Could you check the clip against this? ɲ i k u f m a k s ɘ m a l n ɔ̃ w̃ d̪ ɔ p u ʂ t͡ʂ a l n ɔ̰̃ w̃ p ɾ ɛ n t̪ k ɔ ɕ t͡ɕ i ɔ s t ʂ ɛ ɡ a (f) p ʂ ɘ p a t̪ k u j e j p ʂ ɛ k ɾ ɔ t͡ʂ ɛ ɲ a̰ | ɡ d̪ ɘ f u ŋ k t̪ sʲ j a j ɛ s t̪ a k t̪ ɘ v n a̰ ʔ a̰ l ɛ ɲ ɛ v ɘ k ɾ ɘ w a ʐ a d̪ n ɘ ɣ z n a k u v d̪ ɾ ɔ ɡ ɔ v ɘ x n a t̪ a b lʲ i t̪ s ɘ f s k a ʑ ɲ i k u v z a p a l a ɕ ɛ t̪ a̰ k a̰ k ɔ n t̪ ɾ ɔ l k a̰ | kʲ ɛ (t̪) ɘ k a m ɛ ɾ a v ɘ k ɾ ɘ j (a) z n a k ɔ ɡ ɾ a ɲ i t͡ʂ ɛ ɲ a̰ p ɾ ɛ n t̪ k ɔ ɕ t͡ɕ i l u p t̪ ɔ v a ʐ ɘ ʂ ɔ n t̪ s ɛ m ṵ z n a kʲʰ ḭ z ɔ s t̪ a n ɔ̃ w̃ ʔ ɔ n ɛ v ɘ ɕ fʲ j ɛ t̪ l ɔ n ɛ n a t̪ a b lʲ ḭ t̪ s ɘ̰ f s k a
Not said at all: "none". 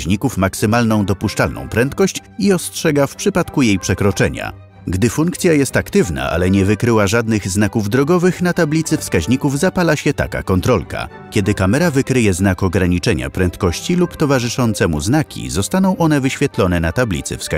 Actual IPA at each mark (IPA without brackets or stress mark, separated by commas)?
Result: f, d̪, ɛ